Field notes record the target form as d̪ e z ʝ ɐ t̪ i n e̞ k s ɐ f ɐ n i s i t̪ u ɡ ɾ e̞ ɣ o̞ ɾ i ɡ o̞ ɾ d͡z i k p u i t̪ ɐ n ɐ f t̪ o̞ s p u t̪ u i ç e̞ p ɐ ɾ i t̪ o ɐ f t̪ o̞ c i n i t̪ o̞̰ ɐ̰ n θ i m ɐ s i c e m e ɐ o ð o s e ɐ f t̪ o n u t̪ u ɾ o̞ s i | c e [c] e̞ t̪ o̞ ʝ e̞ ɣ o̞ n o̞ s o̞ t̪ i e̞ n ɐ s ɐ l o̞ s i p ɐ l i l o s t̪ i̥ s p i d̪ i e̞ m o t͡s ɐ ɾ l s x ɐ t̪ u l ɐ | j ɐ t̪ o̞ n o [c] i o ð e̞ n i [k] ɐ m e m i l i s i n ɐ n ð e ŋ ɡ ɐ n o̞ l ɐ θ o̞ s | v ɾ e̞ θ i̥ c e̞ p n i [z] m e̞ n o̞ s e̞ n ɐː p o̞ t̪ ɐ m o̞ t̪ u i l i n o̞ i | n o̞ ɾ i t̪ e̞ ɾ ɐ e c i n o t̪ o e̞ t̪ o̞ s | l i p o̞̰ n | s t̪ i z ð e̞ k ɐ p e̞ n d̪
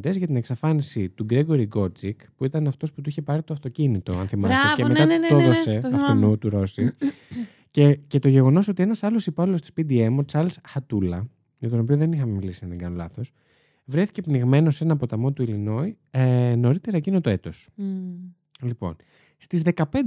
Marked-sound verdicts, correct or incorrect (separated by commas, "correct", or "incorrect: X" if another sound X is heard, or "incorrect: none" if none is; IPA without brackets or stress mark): correct, incorrect: p, incorrect: x, incorrect: ɣ